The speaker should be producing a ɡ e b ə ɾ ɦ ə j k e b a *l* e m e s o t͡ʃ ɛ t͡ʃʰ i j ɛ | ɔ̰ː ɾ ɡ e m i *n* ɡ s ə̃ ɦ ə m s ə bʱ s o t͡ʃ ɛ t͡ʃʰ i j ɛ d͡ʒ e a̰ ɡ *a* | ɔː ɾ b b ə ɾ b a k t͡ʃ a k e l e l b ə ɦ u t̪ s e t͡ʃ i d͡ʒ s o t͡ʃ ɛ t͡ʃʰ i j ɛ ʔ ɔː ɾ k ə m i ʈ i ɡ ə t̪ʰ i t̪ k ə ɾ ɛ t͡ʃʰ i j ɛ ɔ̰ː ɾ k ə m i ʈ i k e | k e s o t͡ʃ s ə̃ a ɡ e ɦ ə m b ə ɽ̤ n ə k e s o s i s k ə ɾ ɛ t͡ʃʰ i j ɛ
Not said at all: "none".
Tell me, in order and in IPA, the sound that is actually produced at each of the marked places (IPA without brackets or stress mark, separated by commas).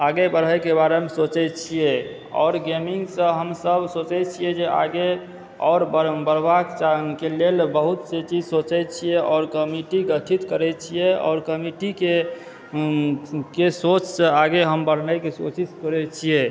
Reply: ɾ, ŋ, e